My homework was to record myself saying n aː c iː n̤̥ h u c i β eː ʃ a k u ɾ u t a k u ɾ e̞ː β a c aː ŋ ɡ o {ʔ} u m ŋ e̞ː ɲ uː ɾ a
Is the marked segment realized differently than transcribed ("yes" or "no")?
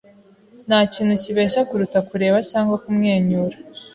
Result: yes